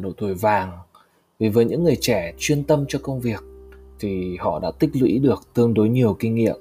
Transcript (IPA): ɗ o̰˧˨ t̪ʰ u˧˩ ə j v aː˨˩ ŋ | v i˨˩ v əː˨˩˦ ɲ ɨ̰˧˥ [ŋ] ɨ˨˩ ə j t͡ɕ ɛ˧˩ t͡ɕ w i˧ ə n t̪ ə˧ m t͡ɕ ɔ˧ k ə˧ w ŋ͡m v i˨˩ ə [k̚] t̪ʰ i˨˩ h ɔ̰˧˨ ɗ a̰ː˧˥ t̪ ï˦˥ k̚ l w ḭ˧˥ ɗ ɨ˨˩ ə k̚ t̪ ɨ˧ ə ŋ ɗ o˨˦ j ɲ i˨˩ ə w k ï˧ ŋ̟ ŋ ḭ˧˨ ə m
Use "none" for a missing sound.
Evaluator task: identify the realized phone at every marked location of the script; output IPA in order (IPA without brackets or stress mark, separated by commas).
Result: ŋː, k̚